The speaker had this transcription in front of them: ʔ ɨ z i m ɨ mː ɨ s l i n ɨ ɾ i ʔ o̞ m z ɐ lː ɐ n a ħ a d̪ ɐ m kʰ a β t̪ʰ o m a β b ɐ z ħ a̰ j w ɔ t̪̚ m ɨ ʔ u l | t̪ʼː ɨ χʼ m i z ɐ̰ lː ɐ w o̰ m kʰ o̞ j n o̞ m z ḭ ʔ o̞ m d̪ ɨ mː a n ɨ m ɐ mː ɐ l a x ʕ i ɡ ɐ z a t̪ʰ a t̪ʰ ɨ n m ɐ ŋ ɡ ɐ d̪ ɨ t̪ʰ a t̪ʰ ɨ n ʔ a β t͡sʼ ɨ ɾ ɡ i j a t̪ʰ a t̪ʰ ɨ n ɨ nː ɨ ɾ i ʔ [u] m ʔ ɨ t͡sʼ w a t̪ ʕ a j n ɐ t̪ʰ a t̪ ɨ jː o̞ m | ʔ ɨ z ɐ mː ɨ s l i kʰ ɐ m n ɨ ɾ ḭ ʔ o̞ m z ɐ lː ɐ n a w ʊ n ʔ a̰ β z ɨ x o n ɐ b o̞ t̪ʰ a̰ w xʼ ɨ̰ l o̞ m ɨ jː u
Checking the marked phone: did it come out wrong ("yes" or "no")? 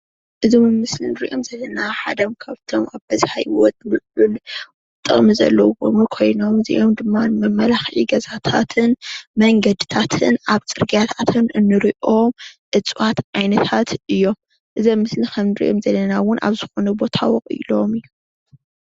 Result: yes